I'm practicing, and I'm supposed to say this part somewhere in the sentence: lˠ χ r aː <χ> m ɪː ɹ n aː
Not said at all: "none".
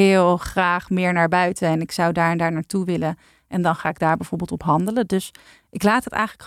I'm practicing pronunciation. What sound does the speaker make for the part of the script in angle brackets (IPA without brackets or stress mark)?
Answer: χ